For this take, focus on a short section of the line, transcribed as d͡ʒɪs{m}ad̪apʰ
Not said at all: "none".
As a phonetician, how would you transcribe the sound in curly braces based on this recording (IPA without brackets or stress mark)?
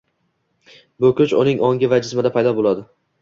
m